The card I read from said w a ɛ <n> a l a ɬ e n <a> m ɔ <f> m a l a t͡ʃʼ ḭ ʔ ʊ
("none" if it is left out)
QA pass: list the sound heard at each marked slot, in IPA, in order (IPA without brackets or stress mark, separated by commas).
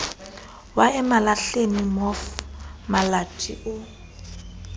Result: m, i, f